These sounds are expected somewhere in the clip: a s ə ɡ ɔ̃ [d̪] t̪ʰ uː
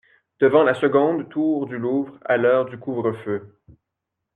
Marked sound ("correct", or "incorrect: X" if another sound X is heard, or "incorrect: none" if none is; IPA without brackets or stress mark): correct